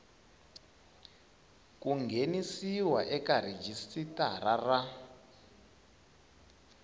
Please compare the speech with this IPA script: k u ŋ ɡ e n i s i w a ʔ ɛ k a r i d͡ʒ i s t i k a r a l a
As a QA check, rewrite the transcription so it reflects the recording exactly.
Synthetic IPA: k u ŋ ɡ e n i s i w a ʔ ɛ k a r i d͡ʒ i s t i t a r a r a